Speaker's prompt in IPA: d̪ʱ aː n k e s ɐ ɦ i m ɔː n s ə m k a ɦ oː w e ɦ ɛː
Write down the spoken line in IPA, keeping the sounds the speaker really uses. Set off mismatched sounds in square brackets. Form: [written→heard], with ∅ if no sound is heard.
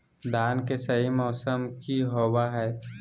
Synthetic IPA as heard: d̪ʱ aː n k e s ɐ ɦ i m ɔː [n→∅] s ə m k [a→i] ɦ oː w [e→a] ɦ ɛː